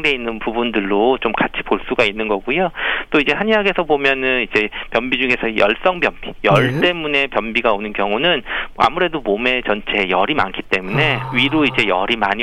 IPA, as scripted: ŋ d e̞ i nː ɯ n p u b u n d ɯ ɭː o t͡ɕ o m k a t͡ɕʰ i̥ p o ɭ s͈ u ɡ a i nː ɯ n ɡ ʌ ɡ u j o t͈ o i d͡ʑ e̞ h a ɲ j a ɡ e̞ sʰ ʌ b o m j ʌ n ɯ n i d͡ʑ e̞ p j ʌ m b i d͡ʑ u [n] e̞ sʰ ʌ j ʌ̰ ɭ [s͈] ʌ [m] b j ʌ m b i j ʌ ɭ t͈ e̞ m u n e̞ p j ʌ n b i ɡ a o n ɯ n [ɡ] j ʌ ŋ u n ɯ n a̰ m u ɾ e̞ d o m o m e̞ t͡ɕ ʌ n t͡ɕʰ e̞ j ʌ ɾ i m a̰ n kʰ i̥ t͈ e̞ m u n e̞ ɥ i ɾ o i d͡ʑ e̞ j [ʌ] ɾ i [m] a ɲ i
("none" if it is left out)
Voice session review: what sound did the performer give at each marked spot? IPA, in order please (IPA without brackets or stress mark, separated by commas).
ŋ, s͈, ŋ, k, ʌ, m